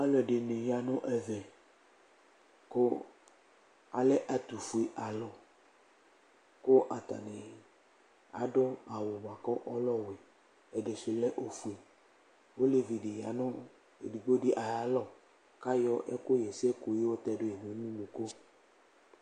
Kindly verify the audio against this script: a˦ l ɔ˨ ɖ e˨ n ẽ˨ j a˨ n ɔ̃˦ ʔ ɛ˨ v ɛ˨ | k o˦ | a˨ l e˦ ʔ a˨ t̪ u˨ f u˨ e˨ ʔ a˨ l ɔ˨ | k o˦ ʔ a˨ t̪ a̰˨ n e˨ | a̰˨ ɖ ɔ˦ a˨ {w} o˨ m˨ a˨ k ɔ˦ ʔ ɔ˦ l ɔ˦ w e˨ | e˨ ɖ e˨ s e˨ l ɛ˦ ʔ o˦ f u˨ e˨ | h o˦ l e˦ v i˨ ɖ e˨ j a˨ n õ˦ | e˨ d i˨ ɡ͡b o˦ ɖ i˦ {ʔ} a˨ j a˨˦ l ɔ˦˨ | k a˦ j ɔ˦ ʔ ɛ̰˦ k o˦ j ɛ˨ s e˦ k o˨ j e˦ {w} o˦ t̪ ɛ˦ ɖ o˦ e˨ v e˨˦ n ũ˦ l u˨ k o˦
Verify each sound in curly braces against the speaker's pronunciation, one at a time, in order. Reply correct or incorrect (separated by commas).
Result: correct, correct, correct